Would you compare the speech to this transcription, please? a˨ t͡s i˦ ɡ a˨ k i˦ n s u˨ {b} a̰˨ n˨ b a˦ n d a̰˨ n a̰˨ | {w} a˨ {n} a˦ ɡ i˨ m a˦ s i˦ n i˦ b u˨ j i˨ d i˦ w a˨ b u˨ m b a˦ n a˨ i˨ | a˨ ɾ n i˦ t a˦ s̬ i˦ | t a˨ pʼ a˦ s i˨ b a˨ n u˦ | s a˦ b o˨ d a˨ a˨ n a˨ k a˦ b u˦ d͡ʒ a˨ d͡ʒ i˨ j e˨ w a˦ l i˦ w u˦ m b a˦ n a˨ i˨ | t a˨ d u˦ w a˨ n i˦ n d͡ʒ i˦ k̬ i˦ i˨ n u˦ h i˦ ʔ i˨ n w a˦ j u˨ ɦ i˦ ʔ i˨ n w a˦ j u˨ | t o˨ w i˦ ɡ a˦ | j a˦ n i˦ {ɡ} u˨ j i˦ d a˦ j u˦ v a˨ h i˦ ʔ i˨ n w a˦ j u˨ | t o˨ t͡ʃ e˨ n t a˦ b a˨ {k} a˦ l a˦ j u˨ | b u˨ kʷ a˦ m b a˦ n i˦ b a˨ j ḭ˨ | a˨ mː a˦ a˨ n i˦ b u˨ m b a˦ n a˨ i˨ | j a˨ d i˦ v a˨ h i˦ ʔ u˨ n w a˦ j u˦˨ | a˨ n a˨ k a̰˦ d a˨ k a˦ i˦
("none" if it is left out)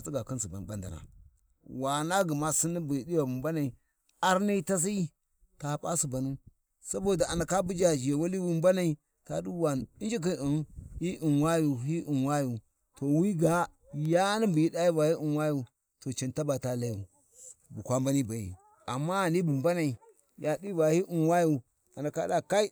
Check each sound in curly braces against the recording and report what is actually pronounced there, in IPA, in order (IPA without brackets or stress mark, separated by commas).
b, w, n, b, t